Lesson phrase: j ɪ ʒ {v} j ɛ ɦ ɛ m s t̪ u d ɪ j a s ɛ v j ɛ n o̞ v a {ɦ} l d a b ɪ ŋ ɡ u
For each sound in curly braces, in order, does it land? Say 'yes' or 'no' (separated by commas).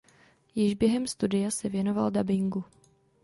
no, no